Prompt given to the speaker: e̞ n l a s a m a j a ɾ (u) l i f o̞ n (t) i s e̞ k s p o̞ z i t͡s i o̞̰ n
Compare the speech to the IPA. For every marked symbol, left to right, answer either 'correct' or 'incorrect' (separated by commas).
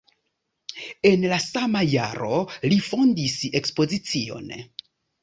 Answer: incorrect, incorrect